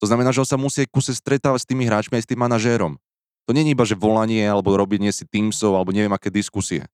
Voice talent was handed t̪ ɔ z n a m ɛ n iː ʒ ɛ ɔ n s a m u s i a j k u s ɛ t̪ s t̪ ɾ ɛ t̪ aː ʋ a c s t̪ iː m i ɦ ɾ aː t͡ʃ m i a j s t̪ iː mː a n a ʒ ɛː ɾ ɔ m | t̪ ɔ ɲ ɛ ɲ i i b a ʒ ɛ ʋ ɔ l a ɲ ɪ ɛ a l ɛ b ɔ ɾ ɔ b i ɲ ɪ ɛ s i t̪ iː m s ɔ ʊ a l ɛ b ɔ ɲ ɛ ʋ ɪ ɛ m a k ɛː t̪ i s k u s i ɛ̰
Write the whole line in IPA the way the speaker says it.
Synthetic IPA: t̪ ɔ z n a m ɛ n aː ʒ ɛ ɔ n s a m u s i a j k u s ɛ s t̪ ɾ ɛ t̪ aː ʋ a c s t̪ iː m i ɦ ɾ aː t͡ʃ m i a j s t̪ iː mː a n a ʒ ɛː ɾ ɔ m | t̪ ɔ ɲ ɛ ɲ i i b a ʒ ɛ ʋ ɔ l a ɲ ɪ ɛ a l ɛ b ɔ ɾ ɔ b i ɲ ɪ ɛ s i t̪ iː m s ɔ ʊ a l ɛ b ɔ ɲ ɛ ʋ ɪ ɛ m a k ɛː d̪ i s k u s i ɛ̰